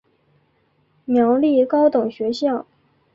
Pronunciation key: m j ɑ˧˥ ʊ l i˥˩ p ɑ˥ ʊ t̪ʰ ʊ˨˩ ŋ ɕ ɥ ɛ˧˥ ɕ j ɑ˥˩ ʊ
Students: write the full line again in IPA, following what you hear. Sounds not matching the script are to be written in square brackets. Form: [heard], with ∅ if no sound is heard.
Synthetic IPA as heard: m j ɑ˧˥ ʊ l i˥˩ [k] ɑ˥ ʊ [t̪] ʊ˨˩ ŋ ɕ ɥ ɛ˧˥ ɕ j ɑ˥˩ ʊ